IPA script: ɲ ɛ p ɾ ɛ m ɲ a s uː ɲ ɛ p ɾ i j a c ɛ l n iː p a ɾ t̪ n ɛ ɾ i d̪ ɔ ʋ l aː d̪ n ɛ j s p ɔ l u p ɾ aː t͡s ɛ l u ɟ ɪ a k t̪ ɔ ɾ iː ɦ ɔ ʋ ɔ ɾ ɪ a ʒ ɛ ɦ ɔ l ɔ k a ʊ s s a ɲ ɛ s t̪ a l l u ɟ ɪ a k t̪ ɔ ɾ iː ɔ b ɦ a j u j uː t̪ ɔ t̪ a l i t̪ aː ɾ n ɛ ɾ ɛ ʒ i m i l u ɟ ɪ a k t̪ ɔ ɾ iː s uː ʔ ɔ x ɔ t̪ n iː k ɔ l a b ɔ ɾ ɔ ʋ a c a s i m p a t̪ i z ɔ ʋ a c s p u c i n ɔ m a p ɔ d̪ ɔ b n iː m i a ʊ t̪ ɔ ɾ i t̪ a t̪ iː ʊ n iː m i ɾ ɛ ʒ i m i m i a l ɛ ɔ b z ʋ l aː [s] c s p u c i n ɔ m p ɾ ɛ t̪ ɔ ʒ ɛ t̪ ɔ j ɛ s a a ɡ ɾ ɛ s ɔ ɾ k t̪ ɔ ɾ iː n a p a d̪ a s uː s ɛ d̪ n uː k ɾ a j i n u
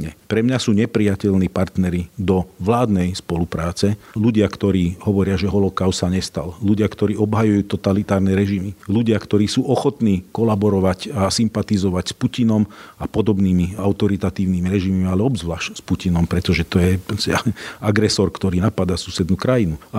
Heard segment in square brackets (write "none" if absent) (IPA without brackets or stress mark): ʃ